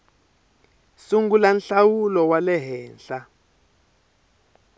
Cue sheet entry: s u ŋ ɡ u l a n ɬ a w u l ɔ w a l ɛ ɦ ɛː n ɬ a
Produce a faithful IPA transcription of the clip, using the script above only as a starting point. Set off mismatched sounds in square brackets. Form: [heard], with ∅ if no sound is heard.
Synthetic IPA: s u ŋ ɡ u l a n ɬ a w u l ɔ w a l ɛ ɦ ɛː n ɬ a